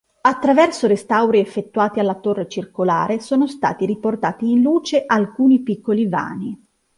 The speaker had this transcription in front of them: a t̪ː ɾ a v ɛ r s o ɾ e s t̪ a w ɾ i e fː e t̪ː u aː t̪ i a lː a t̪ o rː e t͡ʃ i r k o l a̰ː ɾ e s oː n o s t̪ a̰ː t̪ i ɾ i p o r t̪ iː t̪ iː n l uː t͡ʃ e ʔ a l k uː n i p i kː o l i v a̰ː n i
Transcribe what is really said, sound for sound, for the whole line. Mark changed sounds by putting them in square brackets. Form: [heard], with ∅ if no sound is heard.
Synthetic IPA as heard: a t̪ː ɾ a v ɛ r s o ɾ e s t̪ a w ɾ i e fː e t̪ː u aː t̪ i a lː a t̪ o rː e t͡ʃ i r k o l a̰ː ɾ e s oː n o s t̪ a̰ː t̪ i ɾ i p o r t̪ [aː] t̪ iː n l uː t͡ʃ e ʔ a l k uː n i p i kː o l i v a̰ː n i